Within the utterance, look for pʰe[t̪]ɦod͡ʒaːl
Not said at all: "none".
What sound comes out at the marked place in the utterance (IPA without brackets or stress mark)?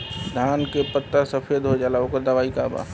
d̪